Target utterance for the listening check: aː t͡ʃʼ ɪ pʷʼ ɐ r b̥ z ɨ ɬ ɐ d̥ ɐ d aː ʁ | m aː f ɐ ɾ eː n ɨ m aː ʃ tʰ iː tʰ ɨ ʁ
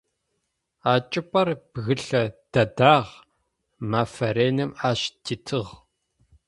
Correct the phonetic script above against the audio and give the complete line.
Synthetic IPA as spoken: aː t͡ʃʼ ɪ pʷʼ ɐ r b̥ ɣ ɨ ɬ ɐ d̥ ɐ d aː ʁ | m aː f ɐ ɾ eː n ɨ m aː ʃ tʰ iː tʰ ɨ ʁ